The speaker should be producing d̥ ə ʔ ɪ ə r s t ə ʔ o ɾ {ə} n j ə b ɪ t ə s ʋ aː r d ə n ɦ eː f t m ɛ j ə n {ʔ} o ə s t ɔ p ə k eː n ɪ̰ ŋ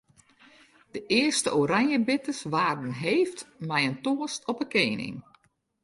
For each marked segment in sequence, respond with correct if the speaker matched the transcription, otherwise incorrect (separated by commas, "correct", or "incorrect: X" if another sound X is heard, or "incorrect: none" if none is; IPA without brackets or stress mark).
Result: incorrect: a, incorrect: t